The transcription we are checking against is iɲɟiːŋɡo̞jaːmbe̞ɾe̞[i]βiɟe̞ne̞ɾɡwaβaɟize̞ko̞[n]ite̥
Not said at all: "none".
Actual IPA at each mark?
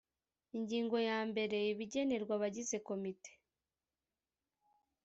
i, m

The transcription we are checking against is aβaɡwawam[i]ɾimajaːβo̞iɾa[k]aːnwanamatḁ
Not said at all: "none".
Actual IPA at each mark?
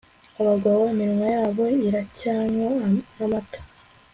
i, c

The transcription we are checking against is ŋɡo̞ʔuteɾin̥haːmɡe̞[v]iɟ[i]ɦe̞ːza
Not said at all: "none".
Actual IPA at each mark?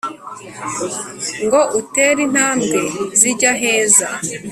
z, a

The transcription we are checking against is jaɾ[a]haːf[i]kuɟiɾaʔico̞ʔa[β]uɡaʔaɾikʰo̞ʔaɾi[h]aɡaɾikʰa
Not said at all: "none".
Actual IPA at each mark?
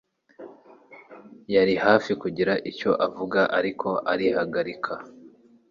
i, i, v, h

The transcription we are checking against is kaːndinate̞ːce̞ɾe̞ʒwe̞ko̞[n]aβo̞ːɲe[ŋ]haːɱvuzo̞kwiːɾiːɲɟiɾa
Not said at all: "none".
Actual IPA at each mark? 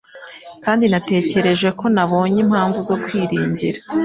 n, m

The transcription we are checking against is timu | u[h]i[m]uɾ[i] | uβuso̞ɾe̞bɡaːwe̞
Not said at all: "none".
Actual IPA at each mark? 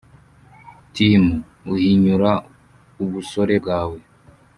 h, ɲ, a

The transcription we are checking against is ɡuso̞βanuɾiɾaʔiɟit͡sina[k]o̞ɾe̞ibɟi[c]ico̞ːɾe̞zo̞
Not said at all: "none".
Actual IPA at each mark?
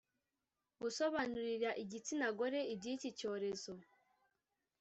ɡ, c

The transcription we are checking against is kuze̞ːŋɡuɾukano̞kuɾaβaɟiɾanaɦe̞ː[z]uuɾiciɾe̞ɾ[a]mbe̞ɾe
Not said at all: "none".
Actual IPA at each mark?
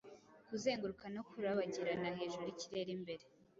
ʒ, i

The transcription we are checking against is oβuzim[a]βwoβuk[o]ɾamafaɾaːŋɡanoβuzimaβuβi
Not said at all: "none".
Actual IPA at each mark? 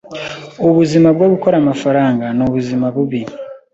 a, o

